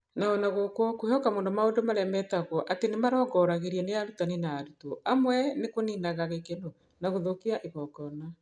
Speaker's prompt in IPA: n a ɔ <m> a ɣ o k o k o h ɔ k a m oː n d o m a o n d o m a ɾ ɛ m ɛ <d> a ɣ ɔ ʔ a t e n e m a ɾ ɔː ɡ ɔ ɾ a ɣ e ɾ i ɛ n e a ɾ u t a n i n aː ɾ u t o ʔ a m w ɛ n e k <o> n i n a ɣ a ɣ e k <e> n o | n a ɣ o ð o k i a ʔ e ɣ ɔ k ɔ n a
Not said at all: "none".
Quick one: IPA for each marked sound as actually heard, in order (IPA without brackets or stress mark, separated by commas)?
n, t, o, e